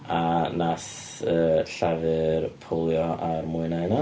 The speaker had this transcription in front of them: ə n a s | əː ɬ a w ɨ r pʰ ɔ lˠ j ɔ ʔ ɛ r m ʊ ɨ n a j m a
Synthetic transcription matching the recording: a n a s | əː ɬ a v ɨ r pʰ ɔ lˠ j ɔ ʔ a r m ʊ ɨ n a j n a